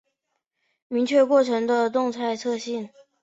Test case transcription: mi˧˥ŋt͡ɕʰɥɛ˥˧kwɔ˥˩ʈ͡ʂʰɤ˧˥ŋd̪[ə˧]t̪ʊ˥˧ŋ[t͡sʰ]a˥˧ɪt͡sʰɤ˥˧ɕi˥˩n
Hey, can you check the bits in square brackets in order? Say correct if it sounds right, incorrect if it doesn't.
correct, correct

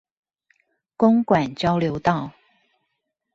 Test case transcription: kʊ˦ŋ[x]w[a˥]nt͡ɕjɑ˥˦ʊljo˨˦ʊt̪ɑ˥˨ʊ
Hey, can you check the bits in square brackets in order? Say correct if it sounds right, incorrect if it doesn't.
incorrect: k, incorrect: a˨˩

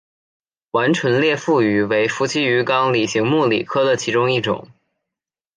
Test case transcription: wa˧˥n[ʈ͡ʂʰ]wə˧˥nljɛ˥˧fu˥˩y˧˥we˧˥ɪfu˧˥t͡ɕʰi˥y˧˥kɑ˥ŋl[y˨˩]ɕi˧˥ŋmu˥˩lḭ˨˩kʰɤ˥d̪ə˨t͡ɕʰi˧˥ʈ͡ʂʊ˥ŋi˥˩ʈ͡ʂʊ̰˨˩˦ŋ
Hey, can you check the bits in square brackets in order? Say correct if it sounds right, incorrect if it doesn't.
correct, incorrect: i˨˩

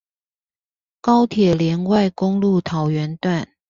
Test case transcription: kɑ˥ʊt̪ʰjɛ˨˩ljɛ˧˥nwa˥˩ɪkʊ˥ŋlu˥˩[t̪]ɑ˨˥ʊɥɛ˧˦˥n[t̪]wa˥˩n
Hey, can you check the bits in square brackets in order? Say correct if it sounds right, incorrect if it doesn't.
incorrect: t̪ʰ, correct

